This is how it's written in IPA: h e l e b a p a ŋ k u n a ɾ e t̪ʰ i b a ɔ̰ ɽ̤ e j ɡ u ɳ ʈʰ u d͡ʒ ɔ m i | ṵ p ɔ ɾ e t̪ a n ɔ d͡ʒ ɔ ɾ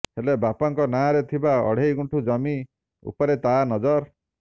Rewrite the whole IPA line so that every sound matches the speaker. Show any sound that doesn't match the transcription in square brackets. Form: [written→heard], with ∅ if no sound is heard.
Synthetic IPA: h e l e b a p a ŋ k [u→ɔ] n a ɾ e t̪ʰ i b a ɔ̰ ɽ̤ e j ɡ u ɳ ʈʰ u d͡ʒ ɔ m i | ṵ p ɔ ɾ e t̪ a n ɔ d͡ʒ ɔ ɾ